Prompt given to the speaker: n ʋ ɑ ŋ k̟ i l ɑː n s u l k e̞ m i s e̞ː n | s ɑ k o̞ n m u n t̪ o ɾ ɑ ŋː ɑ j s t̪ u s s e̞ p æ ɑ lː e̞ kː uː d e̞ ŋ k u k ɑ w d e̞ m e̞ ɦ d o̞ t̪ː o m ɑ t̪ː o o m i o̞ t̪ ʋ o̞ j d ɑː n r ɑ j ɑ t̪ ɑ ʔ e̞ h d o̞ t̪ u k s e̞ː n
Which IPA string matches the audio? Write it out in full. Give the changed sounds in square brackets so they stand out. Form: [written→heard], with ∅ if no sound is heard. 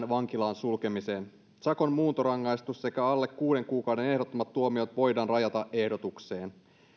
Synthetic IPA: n ʋ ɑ ŋ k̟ i l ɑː n s u l k e̞ m i s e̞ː n | s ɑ k o̞ n m [u→uː] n t̪ o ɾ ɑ ŋː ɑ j s t̪ u s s e̞ [p→k] æ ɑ lː e̞ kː uː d e̞ ŋ k [u→uː] k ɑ w d e̞ [m→n] e̞ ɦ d o̞ t̪ː o m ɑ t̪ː [o→u] o m i o̞ t̪ ʋ o̞ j d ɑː n r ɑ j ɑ t̪ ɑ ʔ e̞ h d o̞ t̪ u k s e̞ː n

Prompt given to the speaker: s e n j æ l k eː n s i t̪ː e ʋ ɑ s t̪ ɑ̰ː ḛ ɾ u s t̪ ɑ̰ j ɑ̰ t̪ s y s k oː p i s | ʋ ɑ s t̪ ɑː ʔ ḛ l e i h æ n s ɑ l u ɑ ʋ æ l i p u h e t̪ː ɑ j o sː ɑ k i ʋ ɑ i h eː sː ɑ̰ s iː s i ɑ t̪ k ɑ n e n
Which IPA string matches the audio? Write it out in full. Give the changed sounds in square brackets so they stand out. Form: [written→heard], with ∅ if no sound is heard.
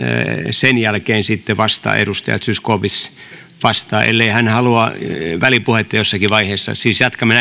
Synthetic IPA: s e n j æ l k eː n s i t̪ː e ʋ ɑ s t̪ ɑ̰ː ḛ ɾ u s t̪ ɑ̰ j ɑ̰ t̪ s y s k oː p i s | ʋ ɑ s t̪ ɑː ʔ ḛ [l→lː] e i h æ n [s→h] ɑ l u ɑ ʋ æ l i p u h e t̪ː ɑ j o sː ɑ k i ʋ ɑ i h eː sː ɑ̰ s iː s [i→j] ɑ t̪ k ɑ [n→m] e n

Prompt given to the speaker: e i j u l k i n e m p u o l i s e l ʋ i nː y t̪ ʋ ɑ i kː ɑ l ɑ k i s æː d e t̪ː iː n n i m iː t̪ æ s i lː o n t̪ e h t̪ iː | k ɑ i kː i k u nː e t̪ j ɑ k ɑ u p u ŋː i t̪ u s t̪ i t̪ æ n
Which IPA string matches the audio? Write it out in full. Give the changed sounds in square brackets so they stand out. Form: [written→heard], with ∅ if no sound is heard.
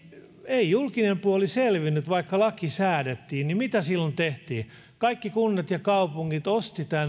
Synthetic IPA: e i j u l k i n e m p u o l i s e l ʋ i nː y t̪ ʋ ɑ i kː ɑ l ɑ k i s æː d e t̪ː iː n n i m [iː→i] t̪ æ s i lː o n t̪ e h t̪ iː | k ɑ i kː i k u nː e t̪ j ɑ k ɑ u p u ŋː i t̪ [u→o] s t̪ i t̪ æ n

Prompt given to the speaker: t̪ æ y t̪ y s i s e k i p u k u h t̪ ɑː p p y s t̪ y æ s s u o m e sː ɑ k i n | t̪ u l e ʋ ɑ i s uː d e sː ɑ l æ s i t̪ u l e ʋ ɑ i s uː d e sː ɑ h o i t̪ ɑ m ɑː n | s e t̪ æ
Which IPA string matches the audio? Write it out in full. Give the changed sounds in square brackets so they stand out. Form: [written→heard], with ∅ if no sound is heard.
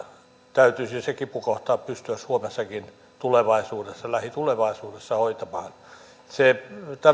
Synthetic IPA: t̪ æ y t̪ y s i s e k i p u k [u→o] h t̪ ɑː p p y s t̪ y æ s s u o m e sː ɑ k i n | t̪ u l e ʋ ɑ i s uː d e sː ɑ l æ [s→h] i t̪ u l e ʋ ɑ i s uː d e sː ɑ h o i t̪ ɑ m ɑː n | s e t̪ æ

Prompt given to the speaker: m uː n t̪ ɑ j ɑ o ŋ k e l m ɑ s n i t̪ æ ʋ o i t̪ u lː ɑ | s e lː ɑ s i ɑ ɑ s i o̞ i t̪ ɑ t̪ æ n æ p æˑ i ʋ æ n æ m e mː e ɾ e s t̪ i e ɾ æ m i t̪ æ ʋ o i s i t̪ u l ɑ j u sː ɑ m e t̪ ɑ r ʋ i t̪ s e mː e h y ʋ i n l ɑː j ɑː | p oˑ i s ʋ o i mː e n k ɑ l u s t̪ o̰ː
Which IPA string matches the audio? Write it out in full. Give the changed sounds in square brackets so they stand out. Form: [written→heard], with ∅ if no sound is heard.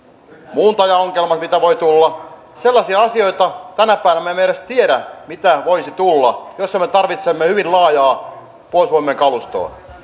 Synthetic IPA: m uː n t̪ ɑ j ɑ o ŋ k e l m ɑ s [n→m] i t̪ æ ʋ o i t̪ u lː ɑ | s e lː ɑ s i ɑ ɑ s i o̞ i t̪ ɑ t̪ æ n æ p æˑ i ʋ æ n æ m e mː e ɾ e s t̪ i e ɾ æ m i t̪ æ ʋ o i s i t̪ u [l→lː] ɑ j [u→o] sː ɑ m e t̪ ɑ r ʋ i t̪ s e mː e h y ʋ i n l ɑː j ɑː | p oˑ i s ʋ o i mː e [n→ŋ] k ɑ l u s t̪ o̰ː

